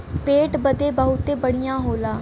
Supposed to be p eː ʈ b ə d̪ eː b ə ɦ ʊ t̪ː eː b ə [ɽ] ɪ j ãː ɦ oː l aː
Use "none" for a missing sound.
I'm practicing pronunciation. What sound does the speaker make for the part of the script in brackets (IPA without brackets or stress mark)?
ɽ